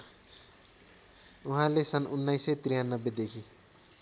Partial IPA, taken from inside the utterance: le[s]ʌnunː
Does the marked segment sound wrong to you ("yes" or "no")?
no